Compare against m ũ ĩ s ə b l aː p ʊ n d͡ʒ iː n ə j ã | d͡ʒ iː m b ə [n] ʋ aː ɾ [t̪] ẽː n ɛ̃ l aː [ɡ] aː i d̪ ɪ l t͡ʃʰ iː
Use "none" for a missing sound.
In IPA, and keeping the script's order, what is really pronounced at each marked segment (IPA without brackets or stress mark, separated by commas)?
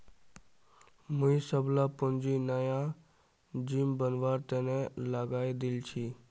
n, t̪, ɡ